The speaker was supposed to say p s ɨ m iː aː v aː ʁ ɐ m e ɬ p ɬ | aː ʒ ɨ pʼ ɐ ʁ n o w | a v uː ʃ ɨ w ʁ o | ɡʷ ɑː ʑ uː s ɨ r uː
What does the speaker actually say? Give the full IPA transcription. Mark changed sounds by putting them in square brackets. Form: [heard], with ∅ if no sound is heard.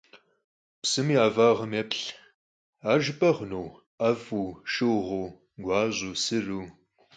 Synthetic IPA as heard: p s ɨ m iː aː v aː ʁ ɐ m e [∅] p ɬ | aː ʒ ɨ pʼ ɐ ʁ n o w | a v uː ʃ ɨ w ʁ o | ɡʷ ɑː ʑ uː s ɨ r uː